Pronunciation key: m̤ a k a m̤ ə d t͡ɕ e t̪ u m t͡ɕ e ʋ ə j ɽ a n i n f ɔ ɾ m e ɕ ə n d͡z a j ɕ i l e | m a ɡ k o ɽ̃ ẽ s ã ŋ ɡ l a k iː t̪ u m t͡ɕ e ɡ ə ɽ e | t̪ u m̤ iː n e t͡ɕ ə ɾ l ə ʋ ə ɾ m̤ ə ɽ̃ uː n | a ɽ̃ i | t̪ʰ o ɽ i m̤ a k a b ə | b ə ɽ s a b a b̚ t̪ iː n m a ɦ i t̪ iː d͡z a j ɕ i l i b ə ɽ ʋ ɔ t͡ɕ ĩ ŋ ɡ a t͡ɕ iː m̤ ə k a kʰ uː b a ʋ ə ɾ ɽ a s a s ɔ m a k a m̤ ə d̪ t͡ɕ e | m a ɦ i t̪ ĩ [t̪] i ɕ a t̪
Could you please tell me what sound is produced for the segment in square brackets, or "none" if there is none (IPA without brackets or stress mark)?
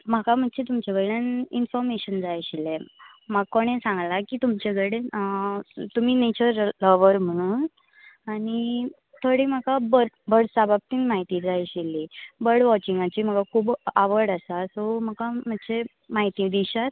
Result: d̪